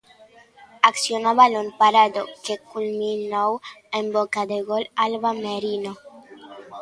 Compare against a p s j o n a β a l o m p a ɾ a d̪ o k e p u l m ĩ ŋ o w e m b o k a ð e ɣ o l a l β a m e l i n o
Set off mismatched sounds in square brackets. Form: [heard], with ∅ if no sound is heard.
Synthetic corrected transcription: a [k] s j o n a β a l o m p a ɾ a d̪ o k e [k] u l m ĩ [n] o w e m b o k a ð e ɣ o l a l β a m e [ɾ] i n o